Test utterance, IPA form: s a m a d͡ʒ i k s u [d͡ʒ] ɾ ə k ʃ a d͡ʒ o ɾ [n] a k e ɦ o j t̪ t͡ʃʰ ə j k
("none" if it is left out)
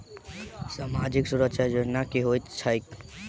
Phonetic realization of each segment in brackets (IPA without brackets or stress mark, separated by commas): none, n